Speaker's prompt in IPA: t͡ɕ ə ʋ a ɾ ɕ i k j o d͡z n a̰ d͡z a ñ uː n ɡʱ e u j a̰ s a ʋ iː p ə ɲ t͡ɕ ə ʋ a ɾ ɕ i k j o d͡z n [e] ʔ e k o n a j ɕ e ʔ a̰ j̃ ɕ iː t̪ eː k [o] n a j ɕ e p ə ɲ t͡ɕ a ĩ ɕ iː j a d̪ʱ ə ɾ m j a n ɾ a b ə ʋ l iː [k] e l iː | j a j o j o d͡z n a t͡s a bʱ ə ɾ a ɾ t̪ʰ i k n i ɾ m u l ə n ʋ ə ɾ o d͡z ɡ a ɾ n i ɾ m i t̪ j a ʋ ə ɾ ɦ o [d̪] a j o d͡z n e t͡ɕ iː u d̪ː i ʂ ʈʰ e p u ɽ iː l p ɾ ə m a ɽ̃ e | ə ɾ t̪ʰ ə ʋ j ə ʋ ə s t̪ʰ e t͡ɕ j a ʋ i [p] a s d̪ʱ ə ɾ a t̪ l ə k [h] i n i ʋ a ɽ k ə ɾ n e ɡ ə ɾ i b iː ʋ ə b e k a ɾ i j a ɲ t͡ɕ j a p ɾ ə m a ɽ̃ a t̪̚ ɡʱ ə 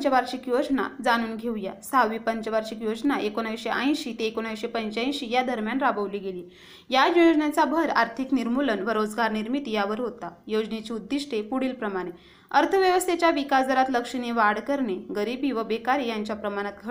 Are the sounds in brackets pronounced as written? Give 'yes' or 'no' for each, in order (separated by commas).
no, yes, no, no, no, no